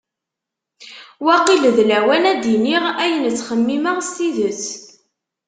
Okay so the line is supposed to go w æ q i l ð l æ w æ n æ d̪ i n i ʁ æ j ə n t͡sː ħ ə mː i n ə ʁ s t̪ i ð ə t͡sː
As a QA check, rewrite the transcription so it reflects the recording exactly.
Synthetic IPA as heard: w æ q i l ð l æ w æ n æ d̪ i n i ʁ æ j ə n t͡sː χ ə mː i m ə ʁ s t̪ i ð ə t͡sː